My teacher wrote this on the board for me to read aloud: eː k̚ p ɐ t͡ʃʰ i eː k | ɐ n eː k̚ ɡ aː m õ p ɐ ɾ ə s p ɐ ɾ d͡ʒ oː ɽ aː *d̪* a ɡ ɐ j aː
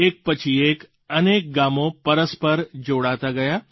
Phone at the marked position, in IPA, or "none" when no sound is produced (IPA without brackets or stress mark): t̪